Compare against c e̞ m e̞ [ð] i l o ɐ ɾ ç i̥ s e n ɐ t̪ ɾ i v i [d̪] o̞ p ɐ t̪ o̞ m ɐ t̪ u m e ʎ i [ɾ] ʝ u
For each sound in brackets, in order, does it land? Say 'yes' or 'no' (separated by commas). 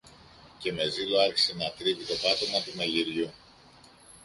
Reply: no, no, yes